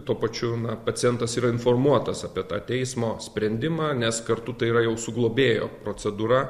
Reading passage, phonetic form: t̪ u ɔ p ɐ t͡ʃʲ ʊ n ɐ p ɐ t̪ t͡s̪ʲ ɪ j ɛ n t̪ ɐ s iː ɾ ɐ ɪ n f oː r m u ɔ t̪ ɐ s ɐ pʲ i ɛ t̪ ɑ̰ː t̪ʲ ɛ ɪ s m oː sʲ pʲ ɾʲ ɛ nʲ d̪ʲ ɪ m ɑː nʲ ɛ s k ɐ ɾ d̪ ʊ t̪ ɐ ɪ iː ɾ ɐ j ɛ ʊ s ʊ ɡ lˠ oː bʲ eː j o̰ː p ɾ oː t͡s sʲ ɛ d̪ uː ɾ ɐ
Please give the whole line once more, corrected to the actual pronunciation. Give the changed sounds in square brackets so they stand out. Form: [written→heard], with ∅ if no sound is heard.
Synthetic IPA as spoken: t̪ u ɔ p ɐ t͡ʃʲ ʊ n ɐ p ɐ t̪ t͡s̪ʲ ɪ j ɛ n t̪ ɐ s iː ɾ ɐ ɪ n f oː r m u ɔ t̪ ɐ s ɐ pʲ i ɛ t̪ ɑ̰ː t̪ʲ ɛ ɪ s m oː sʲ pʲ ɾʲ ɛ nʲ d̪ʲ ɪ m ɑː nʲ ɛ s k ɐ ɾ [d̪→t̪] ʊ t̪ ɐ ɪ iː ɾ ɐ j ɛ ʊ s ʊ ɡ lˠ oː bʲ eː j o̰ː p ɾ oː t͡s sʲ ɛ d̪ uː ɾ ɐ